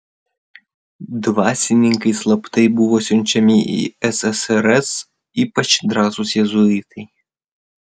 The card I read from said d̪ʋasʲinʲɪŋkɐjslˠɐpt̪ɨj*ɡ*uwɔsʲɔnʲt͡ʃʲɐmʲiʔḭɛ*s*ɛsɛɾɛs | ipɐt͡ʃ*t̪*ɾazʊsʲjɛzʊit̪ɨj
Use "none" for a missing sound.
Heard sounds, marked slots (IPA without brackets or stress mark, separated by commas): b, s, d̪